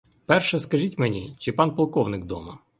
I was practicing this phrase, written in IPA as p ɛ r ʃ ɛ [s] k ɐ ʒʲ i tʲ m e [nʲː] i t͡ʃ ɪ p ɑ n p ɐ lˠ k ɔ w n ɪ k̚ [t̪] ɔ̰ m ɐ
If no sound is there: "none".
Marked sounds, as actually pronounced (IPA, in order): s, nʲ, d̪

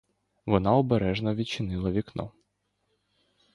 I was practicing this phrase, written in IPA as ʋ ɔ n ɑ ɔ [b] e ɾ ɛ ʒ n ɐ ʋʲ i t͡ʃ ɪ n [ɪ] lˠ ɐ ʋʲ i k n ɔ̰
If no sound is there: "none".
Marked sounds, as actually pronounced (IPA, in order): b, ɪ

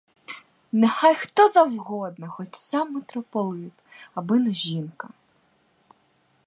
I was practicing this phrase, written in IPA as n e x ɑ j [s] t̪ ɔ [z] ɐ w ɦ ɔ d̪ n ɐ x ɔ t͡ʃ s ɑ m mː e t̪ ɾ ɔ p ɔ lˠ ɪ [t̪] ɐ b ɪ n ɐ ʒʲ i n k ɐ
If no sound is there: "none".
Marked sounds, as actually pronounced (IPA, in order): x, z, t̪

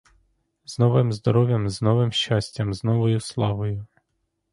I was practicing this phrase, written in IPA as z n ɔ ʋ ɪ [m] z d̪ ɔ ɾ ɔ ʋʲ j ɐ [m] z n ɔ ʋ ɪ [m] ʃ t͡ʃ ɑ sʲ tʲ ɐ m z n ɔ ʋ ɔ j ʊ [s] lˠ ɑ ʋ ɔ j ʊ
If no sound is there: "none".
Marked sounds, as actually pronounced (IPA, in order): m, m, m, s

